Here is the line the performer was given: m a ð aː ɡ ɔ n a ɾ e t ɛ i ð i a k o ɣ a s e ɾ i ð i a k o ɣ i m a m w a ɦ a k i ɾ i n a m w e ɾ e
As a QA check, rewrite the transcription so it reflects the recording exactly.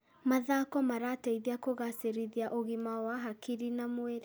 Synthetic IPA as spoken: m a ð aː k ɔ m a ɾ a t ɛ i ð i a k o ɣ a s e ɾ i ð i a ʔ o ɣ i m a w a ɦ a k i ɾ i n a m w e ɾ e